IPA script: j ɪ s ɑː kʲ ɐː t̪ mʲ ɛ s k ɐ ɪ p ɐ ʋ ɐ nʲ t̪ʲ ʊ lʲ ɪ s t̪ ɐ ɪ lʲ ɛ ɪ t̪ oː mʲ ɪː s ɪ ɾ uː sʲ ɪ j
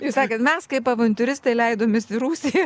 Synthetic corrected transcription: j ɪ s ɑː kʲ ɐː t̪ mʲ ɛ s k ɐ ɪ p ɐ ʋ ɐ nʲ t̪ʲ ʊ ɾʲ ɪ s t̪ ɐ ɪ lʲ ɛ ɪ d̪ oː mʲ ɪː s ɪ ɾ uː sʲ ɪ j